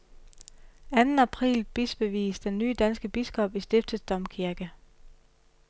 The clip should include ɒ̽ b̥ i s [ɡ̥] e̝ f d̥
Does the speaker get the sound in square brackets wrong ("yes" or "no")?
yes